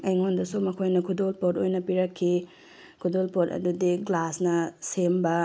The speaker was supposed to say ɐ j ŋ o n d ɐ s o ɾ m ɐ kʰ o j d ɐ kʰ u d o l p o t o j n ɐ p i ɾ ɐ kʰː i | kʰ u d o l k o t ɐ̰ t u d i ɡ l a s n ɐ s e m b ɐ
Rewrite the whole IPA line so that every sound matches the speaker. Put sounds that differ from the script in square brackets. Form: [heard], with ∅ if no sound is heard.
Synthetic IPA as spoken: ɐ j ŋ o n d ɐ s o [∅] m ɐ kʰ o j [n] ɐ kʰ u d o l p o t o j n ɐ p i ɾ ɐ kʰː i | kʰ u d o l [p] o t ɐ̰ [d] u d i ɡ l a s n ɐ s e m b ɐ